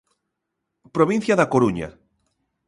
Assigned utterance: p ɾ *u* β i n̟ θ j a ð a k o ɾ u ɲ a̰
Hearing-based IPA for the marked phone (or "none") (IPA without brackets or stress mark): o